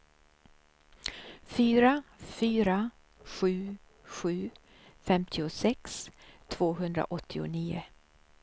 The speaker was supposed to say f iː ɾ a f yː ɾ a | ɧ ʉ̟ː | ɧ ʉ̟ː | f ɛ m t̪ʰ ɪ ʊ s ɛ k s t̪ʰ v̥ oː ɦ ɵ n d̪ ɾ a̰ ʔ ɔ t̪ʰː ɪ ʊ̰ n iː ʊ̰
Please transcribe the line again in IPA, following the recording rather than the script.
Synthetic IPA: f yː ɾ a f yː ɾ a | ɧ ʉ̟ː | ɧ ʉ̟ː | f ɛ m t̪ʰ ɪ ʊ s ɛ k s t̪ʰ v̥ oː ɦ ɵ n d̪ ɾ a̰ ʔ ɔ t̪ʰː ɪ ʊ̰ n iː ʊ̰